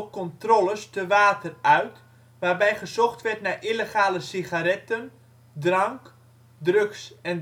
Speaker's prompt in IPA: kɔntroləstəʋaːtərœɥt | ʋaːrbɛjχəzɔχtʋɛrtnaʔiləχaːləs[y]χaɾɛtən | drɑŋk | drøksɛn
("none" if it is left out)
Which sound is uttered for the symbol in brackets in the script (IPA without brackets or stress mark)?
i